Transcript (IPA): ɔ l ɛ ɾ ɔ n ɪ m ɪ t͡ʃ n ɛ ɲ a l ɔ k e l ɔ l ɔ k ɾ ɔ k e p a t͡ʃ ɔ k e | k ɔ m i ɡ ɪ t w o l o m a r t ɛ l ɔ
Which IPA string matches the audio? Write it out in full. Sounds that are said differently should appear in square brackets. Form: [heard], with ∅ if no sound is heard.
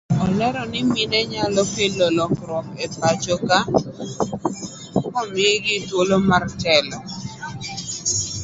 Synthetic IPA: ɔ l ɛ ɾ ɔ n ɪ m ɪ [∅] n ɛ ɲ a l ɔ k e l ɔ l ɔ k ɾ ɔ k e p a t͡ʃ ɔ k [a] | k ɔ m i ɡ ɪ t w o l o m a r t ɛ l ɔ